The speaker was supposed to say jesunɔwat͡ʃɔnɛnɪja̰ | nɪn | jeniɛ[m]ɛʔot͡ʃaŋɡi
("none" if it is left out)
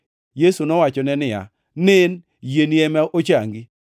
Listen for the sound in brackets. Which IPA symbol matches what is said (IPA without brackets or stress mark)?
m